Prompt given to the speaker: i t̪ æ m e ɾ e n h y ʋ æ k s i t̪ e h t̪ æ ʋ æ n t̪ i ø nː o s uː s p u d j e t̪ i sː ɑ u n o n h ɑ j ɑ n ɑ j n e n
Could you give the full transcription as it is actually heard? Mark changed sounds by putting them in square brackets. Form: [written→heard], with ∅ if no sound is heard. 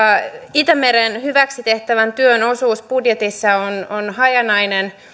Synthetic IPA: i t̪ æ m e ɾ e n h y ʋ æ k s i t̪ e h t̪ æ ʋ æ n t̪ [i→y] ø [nː→n] o s uː s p u d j e t̪ i sː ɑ [u→o] n o n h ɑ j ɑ n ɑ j n e n